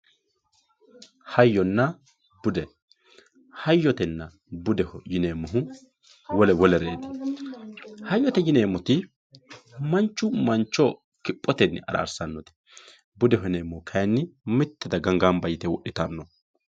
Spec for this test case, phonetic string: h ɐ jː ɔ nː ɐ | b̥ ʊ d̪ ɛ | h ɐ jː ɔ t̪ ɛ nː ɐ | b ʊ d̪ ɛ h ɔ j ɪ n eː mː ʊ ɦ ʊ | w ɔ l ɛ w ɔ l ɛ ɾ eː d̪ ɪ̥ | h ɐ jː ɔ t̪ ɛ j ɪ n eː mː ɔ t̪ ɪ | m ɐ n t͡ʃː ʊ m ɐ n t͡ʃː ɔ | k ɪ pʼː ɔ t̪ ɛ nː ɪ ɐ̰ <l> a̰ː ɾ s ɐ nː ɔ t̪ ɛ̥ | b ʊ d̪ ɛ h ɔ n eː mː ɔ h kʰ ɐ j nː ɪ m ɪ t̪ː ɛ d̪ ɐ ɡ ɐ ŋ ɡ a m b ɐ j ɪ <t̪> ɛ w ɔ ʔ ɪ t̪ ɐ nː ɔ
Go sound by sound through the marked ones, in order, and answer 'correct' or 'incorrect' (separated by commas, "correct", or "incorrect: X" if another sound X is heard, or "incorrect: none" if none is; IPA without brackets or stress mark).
incorrect: ɾ, correct